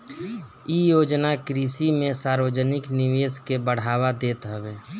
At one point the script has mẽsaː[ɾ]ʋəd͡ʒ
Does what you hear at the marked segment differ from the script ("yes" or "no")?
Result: no